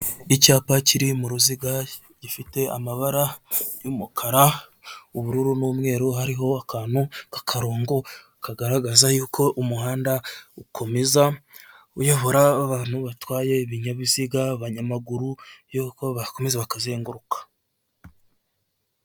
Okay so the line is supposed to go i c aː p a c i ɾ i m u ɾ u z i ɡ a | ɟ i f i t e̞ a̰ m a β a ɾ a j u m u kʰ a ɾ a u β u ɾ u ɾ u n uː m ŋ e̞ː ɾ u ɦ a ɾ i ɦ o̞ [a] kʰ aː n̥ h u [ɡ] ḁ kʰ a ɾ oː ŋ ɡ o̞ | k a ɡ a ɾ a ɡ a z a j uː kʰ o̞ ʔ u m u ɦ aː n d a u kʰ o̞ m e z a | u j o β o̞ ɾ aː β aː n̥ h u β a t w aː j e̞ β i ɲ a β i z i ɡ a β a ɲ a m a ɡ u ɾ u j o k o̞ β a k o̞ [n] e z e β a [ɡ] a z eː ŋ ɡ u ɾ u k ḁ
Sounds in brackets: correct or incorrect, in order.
correct, incorrect: k, incorrect: m, incorrect: k

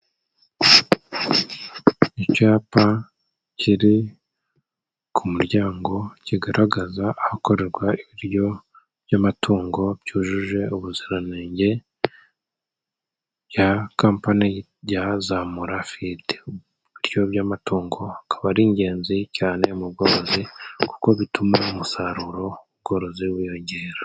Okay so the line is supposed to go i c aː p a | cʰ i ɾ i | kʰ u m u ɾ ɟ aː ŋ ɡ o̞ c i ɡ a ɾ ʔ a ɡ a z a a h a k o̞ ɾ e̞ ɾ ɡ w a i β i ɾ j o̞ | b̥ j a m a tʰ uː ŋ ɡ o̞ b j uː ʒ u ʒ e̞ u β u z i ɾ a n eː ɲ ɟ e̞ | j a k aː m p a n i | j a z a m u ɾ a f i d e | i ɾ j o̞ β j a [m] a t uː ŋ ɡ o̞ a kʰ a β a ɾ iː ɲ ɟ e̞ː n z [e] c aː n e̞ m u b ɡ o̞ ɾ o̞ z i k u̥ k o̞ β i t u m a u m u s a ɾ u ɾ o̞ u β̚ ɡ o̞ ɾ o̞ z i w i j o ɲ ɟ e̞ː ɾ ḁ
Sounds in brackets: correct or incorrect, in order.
correct, incorrect: i

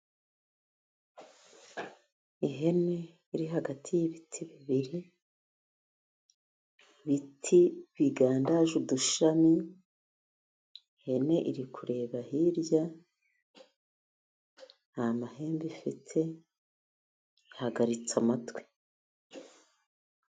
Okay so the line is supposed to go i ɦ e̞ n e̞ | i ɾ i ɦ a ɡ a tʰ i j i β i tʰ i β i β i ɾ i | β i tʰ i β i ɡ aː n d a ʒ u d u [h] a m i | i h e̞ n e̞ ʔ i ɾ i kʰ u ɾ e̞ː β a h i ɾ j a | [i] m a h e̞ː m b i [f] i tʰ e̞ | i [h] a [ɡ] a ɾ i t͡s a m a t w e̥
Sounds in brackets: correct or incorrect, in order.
incorrect: ʃ, incorrect: a, correct, correct, correct

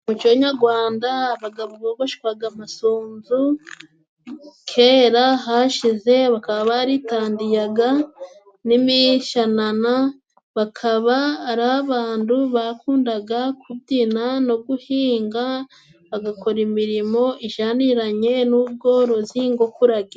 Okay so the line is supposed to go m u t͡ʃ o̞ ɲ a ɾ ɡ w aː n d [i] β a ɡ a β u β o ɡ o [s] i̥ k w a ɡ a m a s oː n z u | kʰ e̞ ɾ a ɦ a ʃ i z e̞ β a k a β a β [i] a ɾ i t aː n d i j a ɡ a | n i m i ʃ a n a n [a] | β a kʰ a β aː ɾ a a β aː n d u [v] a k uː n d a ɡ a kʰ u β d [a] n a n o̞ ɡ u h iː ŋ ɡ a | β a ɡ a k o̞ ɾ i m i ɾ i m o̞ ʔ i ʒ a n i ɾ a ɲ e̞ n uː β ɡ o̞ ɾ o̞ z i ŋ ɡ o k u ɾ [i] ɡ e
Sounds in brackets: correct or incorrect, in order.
incorrect: a, incorrect: ʃ, incorrect: a, correct, incorrect: β, incorrect: i, incorrect: a

